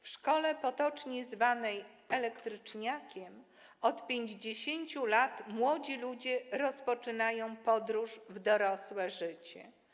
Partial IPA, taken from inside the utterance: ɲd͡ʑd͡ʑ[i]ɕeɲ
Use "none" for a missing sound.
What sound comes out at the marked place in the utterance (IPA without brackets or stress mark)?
e